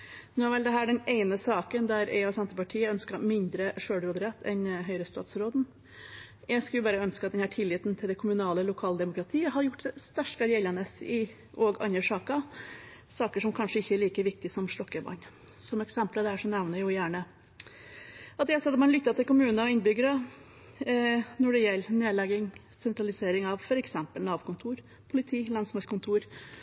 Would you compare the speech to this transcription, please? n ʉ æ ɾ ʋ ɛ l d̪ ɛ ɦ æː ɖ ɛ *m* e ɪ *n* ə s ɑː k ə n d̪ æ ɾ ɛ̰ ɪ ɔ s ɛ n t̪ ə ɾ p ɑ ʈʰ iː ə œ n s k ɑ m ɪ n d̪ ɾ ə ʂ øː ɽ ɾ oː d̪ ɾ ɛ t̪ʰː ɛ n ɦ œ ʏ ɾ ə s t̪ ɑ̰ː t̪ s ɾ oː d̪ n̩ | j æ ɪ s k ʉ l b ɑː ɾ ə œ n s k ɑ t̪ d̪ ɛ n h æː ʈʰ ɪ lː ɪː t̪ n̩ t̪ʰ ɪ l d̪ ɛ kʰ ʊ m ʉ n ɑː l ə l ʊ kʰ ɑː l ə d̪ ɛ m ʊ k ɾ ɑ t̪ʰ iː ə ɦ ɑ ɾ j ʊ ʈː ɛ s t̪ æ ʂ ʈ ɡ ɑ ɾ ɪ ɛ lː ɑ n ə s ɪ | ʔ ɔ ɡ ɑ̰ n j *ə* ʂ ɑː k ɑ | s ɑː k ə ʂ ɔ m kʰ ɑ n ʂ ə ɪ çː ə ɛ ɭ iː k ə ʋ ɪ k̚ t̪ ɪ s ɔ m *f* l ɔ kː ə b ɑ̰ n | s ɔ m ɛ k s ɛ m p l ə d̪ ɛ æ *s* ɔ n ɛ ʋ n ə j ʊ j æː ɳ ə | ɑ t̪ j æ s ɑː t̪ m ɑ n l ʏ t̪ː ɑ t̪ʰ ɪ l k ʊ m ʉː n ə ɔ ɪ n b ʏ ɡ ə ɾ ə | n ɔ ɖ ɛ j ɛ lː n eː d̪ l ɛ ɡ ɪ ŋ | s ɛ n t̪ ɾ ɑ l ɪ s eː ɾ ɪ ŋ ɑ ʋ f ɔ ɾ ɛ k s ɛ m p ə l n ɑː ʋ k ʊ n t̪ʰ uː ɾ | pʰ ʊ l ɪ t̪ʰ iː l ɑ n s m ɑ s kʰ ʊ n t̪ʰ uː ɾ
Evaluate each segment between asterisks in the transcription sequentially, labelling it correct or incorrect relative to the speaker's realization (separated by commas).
incorrect, correct, correct, incorrect, incorrect